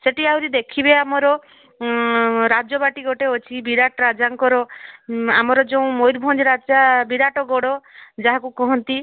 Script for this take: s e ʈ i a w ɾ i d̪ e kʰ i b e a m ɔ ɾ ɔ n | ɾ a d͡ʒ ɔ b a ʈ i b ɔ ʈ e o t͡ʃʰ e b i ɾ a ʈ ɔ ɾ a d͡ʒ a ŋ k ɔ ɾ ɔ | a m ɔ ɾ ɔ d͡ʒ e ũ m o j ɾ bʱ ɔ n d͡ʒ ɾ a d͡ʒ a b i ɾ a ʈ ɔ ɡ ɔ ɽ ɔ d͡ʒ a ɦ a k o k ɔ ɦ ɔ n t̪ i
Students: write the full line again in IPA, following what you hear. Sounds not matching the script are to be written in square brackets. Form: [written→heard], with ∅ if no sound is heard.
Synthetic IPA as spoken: s e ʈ i a w ɾ i d̪ e kʰ i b e a m ɔ ɾ ɔ [n→∅] | ɾ a d͡ʒ ɔ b a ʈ i [b→ɡ] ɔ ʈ e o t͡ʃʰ [e→i] b i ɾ a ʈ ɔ ɾ a d͡ʒ a ŋ k ɔ ɾ ɔ | a m ɔ ɾ ɔ d͡ʒ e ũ m o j ɾ bʱ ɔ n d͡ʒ ɾ a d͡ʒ a b i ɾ a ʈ ɔ ɡ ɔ ɽ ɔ d͡ʒ a ɦ a k [o→u] k ɔ ɦ ɔ n t̪ i